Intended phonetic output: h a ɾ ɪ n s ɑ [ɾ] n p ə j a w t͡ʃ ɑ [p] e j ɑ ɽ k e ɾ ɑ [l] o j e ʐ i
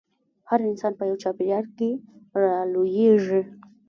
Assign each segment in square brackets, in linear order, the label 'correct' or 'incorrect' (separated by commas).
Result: incorrect, correct, correct